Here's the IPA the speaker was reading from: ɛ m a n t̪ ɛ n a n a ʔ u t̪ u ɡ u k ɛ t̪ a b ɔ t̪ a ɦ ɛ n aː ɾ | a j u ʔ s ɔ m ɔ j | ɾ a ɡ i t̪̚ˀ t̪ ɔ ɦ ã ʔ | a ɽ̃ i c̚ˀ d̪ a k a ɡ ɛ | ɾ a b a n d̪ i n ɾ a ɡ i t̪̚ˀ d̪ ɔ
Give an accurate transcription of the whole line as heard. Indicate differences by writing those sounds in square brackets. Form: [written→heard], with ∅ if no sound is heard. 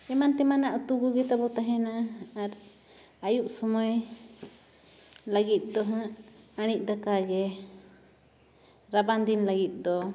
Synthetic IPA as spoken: ɛ m a n t̪ ɛ [n→m] a n a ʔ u t̪ u ɡ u [k→ɡ] ɛ t̪ a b ɔ t̪ a ɦ ɛ n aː ɾ | a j u ʔ s ɔ m ɔ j | [ɾ→l] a ɡ i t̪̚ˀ [t̪→d̪] ɔ ɦ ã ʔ | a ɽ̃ i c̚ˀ d̪ a k a ɡ ɛ | ɾ a b a n d̪ i n [ɾ→l] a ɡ i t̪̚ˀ d̪ ɔ